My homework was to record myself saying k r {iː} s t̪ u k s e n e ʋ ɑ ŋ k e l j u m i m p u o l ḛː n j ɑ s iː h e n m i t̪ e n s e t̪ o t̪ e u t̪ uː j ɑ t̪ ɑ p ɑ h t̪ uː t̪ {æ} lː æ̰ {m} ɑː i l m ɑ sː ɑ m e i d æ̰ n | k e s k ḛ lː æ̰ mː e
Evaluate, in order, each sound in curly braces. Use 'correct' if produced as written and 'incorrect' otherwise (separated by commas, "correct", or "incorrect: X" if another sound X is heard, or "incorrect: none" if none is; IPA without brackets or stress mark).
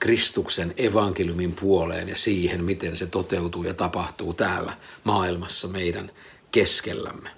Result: incorrect: i, incorrect: æː, correct